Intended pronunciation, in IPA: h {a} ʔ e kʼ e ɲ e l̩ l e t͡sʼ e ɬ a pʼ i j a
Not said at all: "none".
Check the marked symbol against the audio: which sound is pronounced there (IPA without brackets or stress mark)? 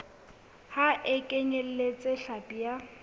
a